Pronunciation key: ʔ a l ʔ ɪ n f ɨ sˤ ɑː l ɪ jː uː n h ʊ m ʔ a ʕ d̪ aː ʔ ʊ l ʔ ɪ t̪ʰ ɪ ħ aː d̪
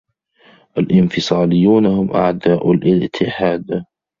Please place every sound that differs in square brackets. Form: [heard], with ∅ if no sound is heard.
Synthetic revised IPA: ʔ a l ʔ ɪ n f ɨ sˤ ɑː l ɪ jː uː n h ʊ m ʔ a ʕ d̪ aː ʔ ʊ l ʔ ɪ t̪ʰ ɪ ħ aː d̪